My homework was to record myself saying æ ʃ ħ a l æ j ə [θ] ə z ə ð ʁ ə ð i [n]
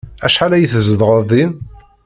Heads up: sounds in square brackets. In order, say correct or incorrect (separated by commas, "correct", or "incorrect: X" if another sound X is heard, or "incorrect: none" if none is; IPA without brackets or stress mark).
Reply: correct, correct